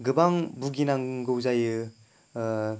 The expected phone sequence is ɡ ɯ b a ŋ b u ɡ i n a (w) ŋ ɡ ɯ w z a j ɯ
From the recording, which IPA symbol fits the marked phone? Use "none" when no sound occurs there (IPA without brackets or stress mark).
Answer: none